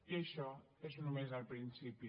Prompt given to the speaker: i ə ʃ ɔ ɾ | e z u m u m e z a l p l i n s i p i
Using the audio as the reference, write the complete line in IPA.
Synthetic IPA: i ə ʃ ɔ | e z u n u m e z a l p ɾ i n s i p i